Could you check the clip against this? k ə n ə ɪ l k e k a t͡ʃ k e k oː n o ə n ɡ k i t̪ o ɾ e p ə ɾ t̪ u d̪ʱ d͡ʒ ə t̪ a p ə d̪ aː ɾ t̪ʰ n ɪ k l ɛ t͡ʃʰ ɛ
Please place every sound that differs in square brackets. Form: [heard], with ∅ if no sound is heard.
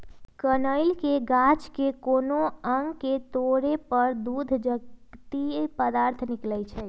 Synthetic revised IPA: k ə n ə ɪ l k e [ɡ] a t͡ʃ k e k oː n o ə [ŋ] ɡ k [e] t̪ o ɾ e p ə ɾ [d̪] u d̪ʱ d͡ʒ ə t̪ [i] p ə d̪ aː ɾ t̪ʰ n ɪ k l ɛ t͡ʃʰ ɛ